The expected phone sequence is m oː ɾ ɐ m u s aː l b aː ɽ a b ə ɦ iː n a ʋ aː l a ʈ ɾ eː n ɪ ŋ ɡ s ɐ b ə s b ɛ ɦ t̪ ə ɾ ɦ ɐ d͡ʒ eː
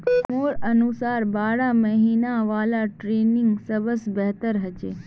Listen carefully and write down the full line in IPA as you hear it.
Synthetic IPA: m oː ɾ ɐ n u s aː ɾ b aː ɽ a m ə ɦ iː n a ʋ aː l a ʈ ɾ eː n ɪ ŋ ɡ s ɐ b ə s b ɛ ɦ t̪ ə ɾ ɦ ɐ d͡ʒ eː